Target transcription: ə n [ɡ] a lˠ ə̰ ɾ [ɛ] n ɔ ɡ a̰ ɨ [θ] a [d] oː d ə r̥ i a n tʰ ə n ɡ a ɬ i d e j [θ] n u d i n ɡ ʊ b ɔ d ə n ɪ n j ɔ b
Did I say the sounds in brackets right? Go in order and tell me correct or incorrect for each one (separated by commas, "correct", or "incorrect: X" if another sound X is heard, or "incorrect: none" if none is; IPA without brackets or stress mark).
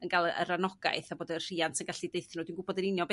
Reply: correct, incorrect: a, correct, incorrect: b, correct